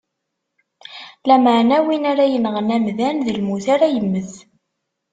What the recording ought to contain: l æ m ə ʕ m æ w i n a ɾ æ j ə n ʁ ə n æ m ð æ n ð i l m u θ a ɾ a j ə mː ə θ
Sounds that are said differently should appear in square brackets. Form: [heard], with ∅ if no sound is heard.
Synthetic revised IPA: l æ m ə ʕ [n] æ w i n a ɾ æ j ə n ʁ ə n æ m ð æ n ð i l m u θ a ɾ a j ə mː ə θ